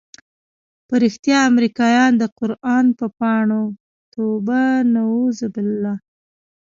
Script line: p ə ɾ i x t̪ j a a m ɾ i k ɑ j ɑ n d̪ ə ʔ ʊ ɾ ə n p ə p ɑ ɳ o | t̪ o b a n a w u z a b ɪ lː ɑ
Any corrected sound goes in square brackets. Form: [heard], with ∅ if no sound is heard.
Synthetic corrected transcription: p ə ɾ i x t̪ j [ɑ] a m ɾ i k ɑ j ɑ n d̪ ə [q] ʊ ɾ [ɑ] n p ə p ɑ ɳ o | t̪ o b a n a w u z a b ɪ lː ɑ